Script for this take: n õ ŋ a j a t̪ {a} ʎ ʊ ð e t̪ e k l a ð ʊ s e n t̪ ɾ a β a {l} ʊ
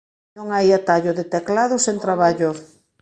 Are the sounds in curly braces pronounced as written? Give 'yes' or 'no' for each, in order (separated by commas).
yes, no